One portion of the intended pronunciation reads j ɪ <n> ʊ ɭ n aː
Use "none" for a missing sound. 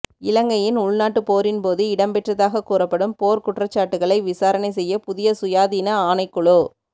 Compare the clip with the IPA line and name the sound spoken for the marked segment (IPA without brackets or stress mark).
n